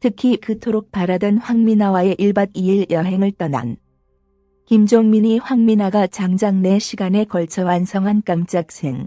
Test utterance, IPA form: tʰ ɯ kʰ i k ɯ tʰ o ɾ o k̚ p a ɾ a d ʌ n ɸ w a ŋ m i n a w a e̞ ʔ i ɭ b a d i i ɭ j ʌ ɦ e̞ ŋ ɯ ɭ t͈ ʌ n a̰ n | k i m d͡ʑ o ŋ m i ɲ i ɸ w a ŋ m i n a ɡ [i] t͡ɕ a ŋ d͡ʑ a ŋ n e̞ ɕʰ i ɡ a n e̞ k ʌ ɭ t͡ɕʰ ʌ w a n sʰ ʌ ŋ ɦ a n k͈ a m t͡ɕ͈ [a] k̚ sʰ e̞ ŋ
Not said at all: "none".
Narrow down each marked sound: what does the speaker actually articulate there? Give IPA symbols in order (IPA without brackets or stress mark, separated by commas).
a, a